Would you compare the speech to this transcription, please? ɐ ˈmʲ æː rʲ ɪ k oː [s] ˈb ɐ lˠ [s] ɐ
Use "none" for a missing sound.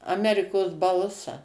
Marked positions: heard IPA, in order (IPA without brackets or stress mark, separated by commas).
s, s